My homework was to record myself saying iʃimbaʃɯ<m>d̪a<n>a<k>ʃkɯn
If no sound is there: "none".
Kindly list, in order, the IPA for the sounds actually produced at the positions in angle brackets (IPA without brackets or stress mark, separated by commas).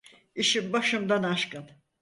m, n, none